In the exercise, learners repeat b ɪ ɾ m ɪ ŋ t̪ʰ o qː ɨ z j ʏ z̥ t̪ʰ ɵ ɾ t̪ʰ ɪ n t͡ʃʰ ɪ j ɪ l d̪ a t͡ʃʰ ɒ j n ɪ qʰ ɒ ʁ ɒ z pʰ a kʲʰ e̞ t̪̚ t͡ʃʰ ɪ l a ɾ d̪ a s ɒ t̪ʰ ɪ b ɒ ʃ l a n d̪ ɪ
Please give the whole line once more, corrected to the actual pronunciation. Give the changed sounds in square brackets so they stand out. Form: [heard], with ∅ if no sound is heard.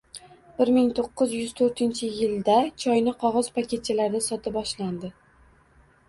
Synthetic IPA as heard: b ɪ ɾ m ɪ ŋ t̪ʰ o qː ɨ z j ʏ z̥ t̪ʰ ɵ ɾ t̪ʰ ɪ n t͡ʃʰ ɪ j ɪ l d̪ a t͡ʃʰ ɒ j n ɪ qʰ ɒ ʁ ɒ z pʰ a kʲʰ e̞ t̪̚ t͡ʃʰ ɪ l a ɾ d̪ a s ɒ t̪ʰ ɪ b ɒ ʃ l a n d̪ ɪ